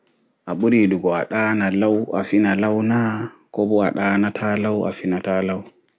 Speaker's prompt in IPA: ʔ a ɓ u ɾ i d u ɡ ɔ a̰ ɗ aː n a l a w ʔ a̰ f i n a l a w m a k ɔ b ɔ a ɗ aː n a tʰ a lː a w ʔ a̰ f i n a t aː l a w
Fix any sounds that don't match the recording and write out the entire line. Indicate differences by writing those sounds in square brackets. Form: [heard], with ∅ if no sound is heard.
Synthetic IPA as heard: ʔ a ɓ u ɾ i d u ɡ ɔ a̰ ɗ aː n a l a w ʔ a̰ f i n a l a w [n] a k ɔ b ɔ a ɗ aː n a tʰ a [l] a w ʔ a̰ f i n a t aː l a w